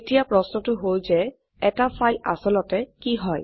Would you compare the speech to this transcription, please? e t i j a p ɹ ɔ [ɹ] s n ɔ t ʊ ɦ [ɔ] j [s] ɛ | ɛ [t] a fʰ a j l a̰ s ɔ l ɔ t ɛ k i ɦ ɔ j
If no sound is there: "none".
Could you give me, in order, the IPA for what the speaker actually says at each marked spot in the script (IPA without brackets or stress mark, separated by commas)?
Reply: none, o, z, t